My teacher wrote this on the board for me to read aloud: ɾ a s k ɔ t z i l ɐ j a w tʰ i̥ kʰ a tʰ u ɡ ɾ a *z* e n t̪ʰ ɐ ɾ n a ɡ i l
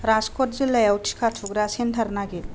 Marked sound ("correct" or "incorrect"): incorrect